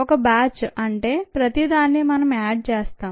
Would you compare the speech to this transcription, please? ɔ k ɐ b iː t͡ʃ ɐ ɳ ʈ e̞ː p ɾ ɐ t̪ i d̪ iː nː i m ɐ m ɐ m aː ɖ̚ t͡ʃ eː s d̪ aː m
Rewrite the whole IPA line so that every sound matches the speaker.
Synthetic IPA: ɔ k ɐ b aː t͡ʃ ɐ ɳ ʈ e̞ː p ɾ ɐ t̪ i d̪ aː nː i m ɐ n ɐ m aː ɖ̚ t͡ʃ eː s t̪ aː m